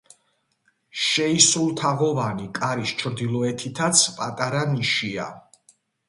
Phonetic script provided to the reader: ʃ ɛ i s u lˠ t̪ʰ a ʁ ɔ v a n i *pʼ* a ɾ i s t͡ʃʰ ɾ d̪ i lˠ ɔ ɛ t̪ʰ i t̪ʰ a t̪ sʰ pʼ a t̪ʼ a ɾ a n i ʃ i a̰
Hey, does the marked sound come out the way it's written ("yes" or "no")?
no